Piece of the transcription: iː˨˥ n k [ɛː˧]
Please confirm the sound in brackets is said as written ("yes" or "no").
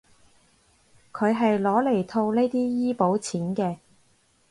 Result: yes